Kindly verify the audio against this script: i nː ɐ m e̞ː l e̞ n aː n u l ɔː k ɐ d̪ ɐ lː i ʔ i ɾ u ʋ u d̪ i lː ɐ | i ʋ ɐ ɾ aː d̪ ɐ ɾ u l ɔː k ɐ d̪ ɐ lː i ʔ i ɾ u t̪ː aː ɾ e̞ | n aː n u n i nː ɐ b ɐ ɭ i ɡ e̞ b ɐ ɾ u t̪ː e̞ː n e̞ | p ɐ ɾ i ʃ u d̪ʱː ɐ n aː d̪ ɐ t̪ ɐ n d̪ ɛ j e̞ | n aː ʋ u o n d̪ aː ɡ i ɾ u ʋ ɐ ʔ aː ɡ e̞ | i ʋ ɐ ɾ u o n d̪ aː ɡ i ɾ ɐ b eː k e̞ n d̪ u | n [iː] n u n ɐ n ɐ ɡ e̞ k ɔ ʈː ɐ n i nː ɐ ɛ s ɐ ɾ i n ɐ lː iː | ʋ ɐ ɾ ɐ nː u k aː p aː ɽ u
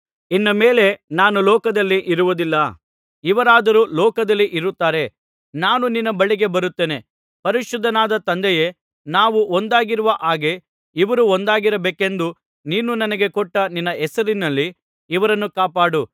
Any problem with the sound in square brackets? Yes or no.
no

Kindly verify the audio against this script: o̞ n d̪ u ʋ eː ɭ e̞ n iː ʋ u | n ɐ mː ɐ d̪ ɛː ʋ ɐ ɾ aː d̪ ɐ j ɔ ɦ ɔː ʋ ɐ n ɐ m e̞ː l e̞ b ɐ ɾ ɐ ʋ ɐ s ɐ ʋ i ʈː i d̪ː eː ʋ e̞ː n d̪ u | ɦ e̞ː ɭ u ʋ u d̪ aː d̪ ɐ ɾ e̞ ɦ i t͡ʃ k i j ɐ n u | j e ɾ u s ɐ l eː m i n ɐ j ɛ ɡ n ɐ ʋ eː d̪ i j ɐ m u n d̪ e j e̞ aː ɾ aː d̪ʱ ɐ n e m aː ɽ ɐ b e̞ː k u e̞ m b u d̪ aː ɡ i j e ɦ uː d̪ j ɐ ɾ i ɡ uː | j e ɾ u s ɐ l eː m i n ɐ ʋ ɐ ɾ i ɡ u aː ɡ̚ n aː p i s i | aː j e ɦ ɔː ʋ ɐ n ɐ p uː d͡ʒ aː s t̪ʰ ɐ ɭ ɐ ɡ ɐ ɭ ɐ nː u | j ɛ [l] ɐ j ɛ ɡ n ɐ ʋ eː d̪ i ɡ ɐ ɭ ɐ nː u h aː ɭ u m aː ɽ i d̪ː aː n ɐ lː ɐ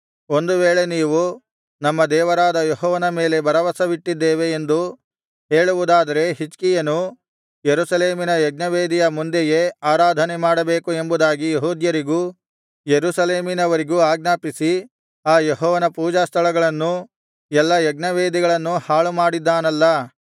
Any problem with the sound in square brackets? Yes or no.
yes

